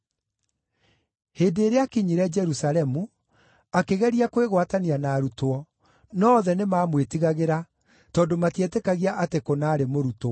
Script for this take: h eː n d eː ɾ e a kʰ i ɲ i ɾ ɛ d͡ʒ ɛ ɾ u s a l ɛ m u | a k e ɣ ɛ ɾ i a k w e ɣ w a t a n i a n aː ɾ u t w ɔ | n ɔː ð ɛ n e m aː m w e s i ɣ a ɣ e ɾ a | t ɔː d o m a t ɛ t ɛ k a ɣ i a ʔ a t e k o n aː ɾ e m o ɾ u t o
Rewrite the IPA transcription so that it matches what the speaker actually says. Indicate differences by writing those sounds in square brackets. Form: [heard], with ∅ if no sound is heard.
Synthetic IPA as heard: h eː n d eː ɾ e a [k] i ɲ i ɾ ɛ d͡ʒ ɛ ɾ u s a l ɛ m u | a k e ɣ ɛ ɾ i a k w e ɣ w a t a n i a n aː ɾ u t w ɔ | n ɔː ð ɛ n e m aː m w e [t] i ɣ a ɣ e ɾ a | t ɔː d o m a t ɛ t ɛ k a ɣ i a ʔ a t e k o n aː ɾ e m o ɾ u t o

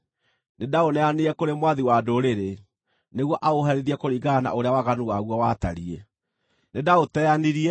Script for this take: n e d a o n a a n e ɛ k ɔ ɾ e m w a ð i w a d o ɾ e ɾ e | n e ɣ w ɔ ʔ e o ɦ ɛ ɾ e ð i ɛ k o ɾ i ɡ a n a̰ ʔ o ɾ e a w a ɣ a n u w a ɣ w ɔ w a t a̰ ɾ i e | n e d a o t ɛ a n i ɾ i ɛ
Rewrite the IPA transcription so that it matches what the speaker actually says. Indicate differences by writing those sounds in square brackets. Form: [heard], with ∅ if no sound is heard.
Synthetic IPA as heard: n e d a o n [ɛ] a n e ɛ k [o] ɾ e m w a ð i w a d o ɾ e ɾ e | n e ɣ w ɔ ʔ [a] o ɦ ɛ ɾ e ð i ɛ k o ɾ i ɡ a n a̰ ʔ o ɾ e a w a ɣ a n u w a ɣ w ɔ w a t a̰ ɾ i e | n e d a o t ɛ a n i ɾ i ɛ

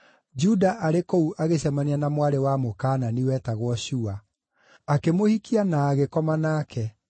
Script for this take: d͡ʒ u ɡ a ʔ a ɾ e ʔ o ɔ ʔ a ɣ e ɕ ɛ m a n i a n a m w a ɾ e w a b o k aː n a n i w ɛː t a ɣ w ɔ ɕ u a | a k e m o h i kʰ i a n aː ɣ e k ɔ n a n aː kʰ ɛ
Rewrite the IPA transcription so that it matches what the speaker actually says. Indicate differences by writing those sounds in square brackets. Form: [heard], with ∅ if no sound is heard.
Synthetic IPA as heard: d͡ʒ u [d] a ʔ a ɾ e [k] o [u] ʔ a ɣ e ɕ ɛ m a n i a n a m w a ɾ e w a [m] o k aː n a n i w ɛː t a ɣ w ɔ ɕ u a | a k e m o h i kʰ i a n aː ɣ e k ɔ [m] a n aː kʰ ɛ

